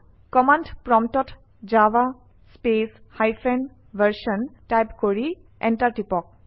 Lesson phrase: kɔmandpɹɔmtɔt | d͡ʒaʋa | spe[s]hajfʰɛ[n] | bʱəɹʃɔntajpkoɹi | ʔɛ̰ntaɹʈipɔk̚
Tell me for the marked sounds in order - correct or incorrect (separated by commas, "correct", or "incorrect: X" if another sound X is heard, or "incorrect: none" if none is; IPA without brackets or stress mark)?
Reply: correct, correct